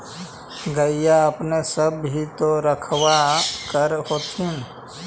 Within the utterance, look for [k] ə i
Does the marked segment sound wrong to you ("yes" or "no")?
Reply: yes